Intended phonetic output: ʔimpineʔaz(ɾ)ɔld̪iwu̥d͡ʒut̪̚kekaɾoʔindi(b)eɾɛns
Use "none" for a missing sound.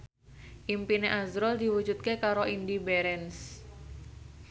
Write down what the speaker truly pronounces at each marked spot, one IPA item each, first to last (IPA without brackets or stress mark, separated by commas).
ɾ, b